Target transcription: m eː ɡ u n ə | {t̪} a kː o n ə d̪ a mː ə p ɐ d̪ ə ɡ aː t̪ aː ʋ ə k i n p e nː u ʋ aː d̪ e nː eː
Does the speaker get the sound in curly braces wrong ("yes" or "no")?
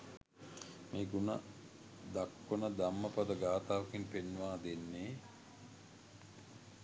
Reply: yes